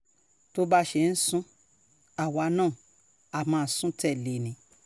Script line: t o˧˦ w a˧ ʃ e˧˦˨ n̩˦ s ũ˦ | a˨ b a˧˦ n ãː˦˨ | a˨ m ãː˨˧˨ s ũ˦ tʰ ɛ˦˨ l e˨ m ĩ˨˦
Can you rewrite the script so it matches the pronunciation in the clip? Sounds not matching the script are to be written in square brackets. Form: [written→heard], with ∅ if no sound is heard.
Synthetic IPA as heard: t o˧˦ [w→b] a˧ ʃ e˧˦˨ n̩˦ s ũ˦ | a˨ [b→w] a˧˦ n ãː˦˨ | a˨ m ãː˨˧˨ s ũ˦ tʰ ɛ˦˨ l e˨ [m→n] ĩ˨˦